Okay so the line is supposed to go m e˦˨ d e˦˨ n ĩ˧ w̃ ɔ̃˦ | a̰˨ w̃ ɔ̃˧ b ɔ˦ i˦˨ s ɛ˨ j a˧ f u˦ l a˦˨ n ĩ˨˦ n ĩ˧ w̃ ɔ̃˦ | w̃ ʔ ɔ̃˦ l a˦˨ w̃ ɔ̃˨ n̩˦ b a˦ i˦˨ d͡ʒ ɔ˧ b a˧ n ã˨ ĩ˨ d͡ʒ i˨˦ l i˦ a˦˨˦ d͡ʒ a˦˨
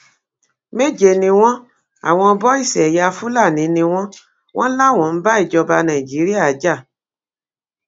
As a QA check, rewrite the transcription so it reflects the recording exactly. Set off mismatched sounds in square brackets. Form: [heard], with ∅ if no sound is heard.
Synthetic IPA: m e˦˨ [d͡ʒ] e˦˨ n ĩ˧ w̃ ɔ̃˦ | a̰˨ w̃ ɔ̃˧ b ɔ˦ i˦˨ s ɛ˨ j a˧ f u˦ l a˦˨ n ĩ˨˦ n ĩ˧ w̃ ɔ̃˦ | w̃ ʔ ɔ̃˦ l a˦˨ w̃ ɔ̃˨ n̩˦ b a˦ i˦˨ d͡ʒ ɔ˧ b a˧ n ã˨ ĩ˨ d͡ʒ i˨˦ [ɾ] i˦ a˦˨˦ d͡ʒ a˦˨